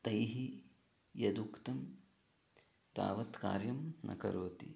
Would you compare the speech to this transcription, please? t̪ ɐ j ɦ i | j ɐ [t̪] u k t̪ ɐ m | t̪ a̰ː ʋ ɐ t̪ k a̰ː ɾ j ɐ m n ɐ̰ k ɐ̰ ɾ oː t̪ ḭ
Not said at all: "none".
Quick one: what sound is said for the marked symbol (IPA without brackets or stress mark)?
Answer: d̪